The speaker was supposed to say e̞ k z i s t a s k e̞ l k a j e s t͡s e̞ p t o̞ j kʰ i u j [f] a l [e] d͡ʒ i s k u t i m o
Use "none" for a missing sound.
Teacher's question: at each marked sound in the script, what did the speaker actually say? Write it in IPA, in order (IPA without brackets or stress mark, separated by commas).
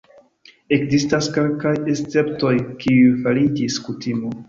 f, i